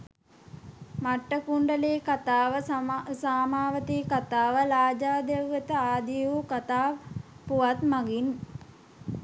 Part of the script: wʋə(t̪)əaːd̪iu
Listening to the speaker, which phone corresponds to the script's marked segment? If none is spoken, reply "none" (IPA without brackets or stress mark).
t̪